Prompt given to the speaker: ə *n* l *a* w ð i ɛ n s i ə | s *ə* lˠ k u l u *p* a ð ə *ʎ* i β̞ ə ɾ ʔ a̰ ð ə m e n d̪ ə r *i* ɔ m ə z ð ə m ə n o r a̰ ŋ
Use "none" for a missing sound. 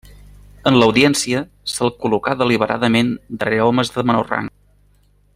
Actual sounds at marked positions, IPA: n, ə, ə, k, l, e

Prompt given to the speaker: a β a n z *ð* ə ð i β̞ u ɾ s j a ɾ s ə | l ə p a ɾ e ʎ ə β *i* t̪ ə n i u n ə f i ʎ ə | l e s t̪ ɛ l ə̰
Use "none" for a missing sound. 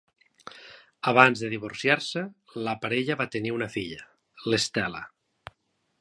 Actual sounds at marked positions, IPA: ð, a

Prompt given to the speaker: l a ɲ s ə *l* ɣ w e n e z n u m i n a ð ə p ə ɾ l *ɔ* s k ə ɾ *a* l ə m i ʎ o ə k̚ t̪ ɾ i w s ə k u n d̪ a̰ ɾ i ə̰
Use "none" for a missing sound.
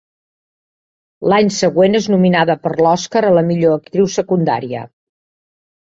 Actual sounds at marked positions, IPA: none, ɔ, ə

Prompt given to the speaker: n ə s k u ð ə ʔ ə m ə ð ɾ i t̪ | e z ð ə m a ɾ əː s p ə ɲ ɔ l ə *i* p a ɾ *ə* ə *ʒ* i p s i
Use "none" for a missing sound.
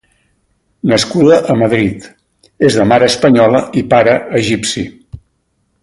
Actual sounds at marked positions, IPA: i, ə, ʒ

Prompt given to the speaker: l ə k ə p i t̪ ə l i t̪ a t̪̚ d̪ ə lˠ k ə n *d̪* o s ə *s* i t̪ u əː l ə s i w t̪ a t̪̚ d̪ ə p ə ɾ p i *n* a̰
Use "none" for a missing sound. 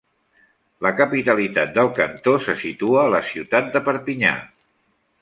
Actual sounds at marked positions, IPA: t̪, s, ɲ

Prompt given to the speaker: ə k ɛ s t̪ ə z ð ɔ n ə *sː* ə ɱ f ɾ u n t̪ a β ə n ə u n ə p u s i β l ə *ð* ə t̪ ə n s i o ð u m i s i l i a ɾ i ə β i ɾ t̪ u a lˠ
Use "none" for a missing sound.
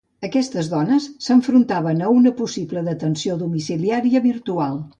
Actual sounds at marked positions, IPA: sː, ð

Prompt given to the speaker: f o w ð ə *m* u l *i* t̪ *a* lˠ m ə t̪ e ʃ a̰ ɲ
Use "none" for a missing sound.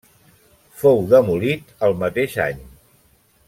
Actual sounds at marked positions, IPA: m, i, ə

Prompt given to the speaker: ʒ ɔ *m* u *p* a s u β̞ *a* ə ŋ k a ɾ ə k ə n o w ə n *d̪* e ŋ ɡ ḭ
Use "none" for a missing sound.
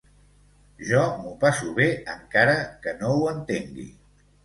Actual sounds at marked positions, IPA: m, p, e, t̪

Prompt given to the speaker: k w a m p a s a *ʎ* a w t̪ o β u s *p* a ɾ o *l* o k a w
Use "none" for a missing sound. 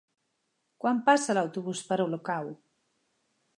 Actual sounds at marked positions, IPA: l, p, l

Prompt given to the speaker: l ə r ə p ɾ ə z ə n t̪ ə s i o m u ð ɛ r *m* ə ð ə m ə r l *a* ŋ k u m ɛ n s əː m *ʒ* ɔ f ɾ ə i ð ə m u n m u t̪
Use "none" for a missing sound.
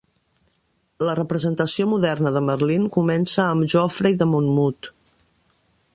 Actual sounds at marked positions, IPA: n, i, ʒ

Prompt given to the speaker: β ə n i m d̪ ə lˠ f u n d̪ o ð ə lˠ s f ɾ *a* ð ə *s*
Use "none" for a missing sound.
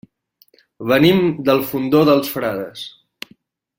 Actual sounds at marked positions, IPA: a, s

